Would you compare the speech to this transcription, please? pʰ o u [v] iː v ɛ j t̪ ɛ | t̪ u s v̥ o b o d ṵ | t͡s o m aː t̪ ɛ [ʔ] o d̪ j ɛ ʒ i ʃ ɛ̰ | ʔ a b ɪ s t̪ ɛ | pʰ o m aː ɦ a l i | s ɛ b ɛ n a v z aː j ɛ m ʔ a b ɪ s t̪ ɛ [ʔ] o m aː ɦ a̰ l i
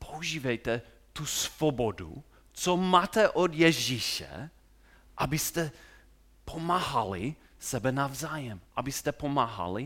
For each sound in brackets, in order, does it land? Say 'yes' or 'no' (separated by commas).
no, yes, no